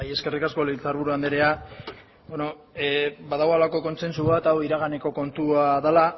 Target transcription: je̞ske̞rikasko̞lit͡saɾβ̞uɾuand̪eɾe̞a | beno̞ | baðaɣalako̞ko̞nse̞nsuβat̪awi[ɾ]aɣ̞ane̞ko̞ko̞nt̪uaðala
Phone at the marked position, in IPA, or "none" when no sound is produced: ɾ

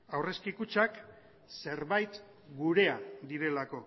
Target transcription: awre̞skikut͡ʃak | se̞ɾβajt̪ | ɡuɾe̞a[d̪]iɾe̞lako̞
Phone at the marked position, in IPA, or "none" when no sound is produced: d̪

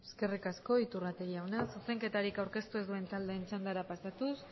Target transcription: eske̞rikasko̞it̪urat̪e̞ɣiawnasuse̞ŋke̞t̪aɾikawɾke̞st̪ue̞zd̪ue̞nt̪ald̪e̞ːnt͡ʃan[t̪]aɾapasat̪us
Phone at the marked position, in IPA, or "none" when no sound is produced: d̪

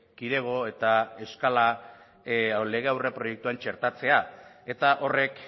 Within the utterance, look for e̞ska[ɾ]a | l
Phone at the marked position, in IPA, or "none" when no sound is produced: l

